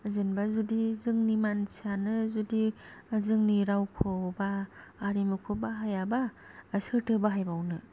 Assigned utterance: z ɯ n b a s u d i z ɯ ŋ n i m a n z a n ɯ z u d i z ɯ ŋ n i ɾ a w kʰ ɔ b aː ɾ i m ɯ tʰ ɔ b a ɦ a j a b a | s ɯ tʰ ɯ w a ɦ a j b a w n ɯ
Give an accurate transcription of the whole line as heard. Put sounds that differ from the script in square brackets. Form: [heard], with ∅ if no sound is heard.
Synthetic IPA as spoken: z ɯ n b a [z] u d i z ɯ ŋ n i m a n [s] a n ɯ z u d i z ɯ ŋ n i ɾ a w kʰ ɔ b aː ɾ i m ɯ [kʰ] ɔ b a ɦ a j a b a | s ɯ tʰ ɯ [b] a ɦ a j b a w n ɯ

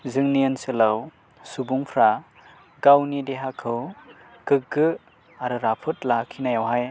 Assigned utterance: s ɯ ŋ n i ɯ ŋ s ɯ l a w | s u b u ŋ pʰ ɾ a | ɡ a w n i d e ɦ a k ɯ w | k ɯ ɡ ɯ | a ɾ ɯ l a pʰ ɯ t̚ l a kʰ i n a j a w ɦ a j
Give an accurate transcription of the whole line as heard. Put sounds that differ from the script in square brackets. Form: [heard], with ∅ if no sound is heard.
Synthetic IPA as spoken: [z] ɯ ŋ n i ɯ [n] s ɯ l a w | s u b u ŋ pʰ ɾ a | ɡ a w n i d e ɦ a [kʰ] ɯ w | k ɯ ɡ ɯ | a ɾ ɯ [ɾ] a pʰ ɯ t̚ l a kʰ i n a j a w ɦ a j

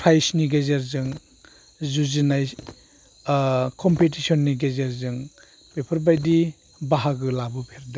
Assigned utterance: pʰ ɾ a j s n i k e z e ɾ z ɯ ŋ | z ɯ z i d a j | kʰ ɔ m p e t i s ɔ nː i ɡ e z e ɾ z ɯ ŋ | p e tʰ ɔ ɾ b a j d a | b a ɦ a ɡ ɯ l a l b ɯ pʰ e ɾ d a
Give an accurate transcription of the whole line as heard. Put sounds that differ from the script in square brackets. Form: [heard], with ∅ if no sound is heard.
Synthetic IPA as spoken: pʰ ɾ a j s n i [ɡ] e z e ɾ z ɯ ŋ | z [u] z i [n] a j | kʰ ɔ m p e t i s ɔ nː i ɡ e z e ɾ z ɯ ŋ | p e [pʰ] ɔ ɾ b a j d [i] | b a ɦ a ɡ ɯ l a [∅] b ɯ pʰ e ɾ d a

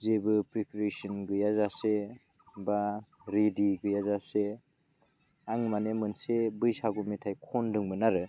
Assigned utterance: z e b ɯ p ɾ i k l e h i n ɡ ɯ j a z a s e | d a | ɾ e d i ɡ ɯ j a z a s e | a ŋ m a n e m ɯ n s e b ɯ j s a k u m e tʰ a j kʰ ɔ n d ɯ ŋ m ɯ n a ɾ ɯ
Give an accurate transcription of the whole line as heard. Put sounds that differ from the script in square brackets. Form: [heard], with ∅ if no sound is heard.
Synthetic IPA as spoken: z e b ɯ p ɾ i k [ɾ] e [s] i n ɡ ɯ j a z a s e | [b] a | ɾ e d i ɡ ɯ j a z a s e | a ŋ m a n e m ɯ n s e b ɯ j s a [ɡ] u m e tʰ a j kʰ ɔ n d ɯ ŋ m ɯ n a ɾ ɯ

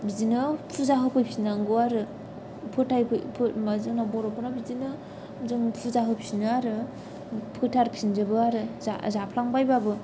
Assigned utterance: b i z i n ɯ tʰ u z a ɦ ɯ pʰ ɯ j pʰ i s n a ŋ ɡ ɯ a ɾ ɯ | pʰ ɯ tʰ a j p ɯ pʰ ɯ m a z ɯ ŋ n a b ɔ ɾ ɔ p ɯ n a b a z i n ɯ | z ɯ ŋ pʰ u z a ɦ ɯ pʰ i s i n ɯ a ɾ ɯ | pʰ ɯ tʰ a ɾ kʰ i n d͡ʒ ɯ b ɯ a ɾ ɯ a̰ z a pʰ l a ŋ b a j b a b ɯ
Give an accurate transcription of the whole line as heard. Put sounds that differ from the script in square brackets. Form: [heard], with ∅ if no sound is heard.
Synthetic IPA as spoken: b i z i n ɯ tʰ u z a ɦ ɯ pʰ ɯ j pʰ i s n a ŋ ɡ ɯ a ɾ ɯ | pʰ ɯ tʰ a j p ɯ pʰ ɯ m a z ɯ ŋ n a b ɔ ɾ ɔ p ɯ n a b [i] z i n ɯ | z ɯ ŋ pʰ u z a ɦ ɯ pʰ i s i n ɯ a ɾ ɯ | pʰ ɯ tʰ a ɾ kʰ i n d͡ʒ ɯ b ɯ a ɾ ɯ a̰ z a pʰ l a ŋ b a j b a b ɯ

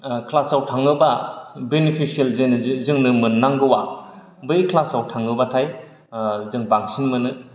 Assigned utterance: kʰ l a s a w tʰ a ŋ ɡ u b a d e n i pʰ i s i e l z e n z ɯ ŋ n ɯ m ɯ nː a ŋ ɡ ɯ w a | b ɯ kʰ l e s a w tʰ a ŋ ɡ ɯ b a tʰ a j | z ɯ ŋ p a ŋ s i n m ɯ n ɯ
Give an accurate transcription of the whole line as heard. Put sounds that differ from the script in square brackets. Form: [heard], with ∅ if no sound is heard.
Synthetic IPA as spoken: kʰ l a s a w tʰ a ŋ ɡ [ɯ] b a [b] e n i pʰ i s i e l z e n z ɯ ŋ n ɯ m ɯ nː a ŋ ɡ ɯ w a | b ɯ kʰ l [a] s a w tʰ a ŋ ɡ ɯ b a tʰ a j | z ɯ ŋ [b] a ŋ s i n m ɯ n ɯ

